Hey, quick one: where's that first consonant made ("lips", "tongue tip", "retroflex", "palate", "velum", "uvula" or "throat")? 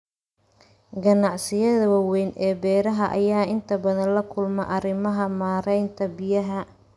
velum